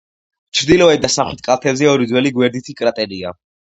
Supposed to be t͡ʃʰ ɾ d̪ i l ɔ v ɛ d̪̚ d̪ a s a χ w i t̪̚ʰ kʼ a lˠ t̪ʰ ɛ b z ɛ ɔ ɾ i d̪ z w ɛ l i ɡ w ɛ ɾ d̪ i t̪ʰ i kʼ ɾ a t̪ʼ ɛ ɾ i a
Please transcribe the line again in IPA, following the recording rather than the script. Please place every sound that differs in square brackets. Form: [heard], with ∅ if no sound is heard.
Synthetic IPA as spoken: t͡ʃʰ ɾ d̪ i l ɔ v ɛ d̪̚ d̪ a s a χ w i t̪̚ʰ kʼ a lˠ t̪ʰ ɛ b z ɛ ɔ ɾ i d̪ z w ɛ l i ɡ w ɛ ɾ d̪ i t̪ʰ i kʼ ɾ a t̪ʼ ɛ ɾ i a